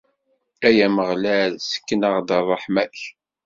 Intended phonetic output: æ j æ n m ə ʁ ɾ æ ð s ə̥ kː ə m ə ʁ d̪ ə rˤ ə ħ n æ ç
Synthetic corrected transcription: æ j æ m ə ʁ l æ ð s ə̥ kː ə n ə ʁ d̪ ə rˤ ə ħ m æ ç